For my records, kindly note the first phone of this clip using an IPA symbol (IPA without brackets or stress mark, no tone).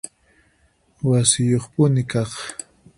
w